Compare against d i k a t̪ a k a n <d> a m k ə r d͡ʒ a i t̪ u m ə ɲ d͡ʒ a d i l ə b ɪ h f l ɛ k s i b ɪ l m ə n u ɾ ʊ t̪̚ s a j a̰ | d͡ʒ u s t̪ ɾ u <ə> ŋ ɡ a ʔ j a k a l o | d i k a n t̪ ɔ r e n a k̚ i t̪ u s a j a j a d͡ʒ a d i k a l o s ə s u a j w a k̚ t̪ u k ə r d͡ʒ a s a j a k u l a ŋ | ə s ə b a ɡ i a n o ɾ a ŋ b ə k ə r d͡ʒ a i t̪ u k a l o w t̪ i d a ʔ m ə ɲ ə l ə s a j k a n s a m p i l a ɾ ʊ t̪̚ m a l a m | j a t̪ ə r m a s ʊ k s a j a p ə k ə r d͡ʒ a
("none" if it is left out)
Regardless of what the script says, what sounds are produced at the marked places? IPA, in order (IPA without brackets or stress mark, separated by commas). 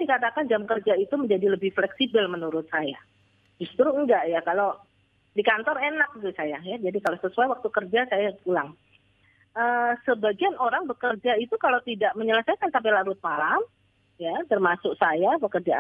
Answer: d͡ʒ, ə